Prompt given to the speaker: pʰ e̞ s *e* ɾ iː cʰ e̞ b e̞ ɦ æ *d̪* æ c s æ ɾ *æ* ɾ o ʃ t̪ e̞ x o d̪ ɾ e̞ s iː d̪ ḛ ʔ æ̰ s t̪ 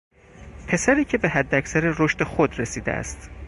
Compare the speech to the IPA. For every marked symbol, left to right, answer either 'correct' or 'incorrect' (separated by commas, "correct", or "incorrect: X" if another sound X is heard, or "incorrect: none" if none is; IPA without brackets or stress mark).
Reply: incorrect: æ, incorrect: d̪ː, incorrect: e